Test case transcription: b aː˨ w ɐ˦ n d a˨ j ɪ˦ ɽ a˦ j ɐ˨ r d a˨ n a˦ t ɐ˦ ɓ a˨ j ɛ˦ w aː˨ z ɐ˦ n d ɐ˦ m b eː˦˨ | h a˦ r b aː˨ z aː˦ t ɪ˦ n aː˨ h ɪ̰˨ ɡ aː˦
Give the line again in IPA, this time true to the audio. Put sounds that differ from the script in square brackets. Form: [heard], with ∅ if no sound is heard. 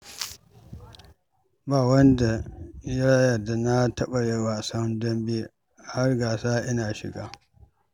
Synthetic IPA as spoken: b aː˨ w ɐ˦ n d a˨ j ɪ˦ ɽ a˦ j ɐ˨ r d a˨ n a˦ t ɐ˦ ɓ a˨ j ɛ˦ w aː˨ [s] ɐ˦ n d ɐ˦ m b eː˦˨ | h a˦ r [ɡ] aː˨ [s] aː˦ [ʔ] ɪ˦ n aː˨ [ʃ] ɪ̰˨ ɡ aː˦

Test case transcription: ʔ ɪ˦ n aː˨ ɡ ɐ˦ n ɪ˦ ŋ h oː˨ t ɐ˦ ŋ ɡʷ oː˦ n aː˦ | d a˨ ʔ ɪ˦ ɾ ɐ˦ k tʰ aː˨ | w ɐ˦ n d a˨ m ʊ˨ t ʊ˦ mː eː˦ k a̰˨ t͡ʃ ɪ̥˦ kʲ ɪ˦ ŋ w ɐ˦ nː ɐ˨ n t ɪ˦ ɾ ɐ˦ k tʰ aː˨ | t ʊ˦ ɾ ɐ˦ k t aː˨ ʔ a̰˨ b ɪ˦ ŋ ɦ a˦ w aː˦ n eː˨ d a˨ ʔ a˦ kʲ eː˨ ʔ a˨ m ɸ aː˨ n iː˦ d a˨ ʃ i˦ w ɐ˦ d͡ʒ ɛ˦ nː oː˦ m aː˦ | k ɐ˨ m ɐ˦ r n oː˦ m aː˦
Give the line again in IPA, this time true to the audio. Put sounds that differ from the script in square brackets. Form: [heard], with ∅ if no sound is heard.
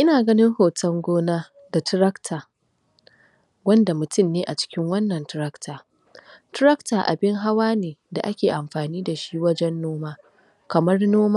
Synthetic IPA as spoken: ʔ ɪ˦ n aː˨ ɡ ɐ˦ n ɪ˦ ŋ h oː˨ t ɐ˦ ŋ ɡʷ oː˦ n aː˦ | d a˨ [t] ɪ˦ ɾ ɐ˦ k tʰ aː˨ | w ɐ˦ n d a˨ m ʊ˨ t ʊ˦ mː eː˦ [ʔ] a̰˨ t͡ʃ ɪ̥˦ kʲ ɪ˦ ŋ w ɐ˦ nː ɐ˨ n t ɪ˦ ɾ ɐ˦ k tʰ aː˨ | t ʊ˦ ɾ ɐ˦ k t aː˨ ʔ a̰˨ b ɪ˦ ŋ ɦ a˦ w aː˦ n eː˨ d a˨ ʔ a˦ kʲ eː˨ ʔ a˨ m ɸ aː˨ n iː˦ d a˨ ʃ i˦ w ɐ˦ d͡ʒ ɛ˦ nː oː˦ m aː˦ | k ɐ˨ m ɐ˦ r n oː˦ m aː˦

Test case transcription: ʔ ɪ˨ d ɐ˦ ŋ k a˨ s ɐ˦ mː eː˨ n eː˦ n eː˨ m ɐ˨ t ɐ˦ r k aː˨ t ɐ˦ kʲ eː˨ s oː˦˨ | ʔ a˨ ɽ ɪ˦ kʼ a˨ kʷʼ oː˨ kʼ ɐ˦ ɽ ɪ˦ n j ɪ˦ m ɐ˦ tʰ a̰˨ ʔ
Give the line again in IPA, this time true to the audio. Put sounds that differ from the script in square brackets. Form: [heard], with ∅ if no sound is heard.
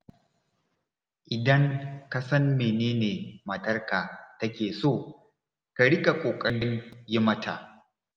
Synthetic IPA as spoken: ʔ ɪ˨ d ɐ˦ ŋ k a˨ s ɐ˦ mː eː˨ n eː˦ n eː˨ m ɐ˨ t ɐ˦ r k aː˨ t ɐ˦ kʲ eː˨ s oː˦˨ | [k] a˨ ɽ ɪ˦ kʼ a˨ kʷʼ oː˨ kʼ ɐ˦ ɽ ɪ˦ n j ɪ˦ m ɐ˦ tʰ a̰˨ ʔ

